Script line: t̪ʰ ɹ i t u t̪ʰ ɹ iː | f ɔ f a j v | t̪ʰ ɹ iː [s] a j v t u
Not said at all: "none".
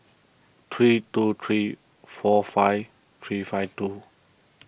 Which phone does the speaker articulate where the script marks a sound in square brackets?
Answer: f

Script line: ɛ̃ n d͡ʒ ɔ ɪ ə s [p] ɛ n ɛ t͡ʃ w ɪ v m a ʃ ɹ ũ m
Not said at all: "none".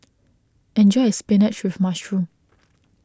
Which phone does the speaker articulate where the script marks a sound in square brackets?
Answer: p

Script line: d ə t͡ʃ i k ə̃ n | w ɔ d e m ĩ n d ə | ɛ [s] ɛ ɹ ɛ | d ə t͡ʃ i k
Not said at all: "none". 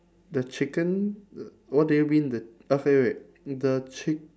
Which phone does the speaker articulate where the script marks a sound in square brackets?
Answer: f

